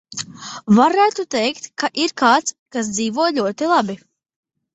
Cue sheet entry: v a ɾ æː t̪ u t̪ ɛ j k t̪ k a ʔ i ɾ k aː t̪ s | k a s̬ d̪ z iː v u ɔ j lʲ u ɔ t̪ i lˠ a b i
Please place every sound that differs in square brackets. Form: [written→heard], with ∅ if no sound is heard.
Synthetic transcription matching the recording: v a ɾ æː t̪ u t̪ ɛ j k t̪ k a ʔ i ɾ k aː t̪ s | k a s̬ d̪ z iː v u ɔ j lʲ u ɔ t̪ i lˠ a b i